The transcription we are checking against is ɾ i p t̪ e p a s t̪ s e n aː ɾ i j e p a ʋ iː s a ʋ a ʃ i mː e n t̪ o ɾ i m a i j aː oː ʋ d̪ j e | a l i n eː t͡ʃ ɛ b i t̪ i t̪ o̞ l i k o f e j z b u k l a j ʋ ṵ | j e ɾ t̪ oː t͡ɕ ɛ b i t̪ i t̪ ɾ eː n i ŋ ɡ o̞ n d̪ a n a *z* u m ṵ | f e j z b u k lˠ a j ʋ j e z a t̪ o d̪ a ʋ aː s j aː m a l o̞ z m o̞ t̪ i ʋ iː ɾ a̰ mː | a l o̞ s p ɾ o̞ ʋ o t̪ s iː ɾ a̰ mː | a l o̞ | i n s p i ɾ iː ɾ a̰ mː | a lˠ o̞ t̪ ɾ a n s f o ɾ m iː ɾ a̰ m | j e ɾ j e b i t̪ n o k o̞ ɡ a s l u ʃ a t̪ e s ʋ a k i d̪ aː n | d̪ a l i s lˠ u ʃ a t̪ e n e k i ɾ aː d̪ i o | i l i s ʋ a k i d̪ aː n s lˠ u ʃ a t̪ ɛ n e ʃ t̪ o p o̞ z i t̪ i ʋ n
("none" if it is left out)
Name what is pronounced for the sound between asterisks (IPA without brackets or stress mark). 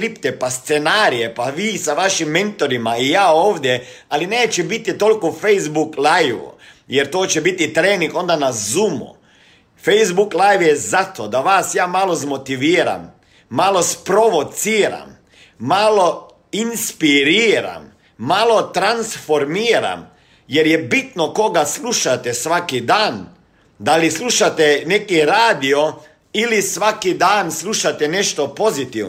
z